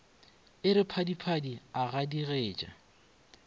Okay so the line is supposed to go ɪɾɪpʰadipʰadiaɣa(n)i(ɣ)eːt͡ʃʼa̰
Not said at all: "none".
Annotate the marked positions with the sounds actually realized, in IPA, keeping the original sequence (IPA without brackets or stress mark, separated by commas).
d, ɣ